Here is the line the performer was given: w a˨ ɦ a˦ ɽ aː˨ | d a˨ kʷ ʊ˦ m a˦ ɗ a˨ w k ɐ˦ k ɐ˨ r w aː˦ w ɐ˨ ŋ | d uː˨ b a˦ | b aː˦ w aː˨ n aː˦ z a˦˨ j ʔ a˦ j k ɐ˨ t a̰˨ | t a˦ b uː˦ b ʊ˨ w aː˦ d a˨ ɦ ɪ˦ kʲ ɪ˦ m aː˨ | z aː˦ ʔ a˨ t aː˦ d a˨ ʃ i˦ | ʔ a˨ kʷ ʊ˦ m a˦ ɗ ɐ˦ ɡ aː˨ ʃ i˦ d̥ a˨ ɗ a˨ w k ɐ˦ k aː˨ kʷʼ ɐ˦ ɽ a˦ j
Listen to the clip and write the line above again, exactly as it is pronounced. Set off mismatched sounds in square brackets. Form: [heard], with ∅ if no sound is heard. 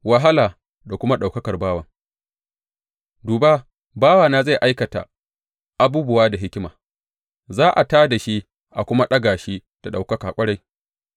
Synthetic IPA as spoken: w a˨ ɦ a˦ [l] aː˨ | d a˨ kʷ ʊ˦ m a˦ ɗ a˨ w k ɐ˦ k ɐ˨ r [b] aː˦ w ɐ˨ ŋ | d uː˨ b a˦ | b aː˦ w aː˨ n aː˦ z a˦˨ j ʔ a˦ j k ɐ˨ t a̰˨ | [ʔ] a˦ b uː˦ b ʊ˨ w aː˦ d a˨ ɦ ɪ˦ kʲ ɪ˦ m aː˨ | z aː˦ ʔ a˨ t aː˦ d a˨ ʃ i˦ | ʔ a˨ kʷ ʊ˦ m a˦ ɗ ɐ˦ ɡ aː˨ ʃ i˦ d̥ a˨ ɗ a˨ w k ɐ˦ k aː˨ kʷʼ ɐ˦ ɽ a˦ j